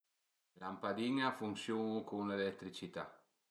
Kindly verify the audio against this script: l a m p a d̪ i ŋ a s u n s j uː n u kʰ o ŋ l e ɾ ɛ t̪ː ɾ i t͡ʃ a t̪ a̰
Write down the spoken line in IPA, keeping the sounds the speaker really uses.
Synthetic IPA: l a m p a d̪ i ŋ a f u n s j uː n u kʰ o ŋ l e l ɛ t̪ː ɾ i t͡ʃ i t̪ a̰